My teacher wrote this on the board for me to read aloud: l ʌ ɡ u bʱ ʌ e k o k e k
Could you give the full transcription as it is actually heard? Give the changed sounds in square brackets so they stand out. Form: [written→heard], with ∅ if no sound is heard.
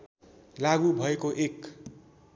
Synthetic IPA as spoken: l [ʌ→a] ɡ u bʱ ʌ e k o [k→ʔ] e k